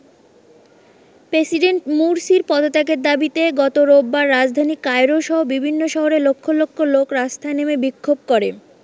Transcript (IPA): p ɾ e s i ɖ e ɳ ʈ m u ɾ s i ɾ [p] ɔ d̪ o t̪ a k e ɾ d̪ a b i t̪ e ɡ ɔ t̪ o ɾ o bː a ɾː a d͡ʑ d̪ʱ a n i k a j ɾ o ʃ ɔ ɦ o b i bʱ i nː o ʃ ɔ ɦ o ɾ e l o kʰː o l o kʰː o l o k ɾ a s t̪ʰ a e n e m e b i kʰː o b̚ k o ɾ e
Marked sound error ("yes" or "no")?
no